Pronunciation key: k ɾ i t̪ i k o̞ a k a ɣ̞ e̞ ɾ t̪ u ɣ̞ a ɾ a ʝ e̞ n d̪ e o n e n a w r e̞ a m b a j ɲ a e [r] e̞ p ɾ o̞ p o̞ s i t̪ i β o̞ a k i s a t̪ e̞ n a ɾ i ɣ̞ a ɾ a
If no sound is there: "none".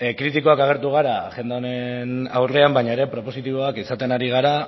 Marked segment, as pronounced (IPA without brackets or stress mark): ɾ